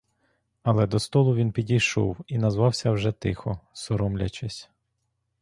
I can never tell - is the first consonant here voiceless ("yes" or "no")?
no